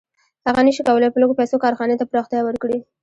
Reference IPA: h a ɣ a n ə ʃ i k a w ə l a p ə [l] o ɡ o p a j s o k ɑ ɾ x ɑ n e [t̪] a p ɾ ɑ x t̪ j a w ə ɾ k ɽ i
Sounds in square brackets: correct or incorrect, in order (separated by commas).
correct, correct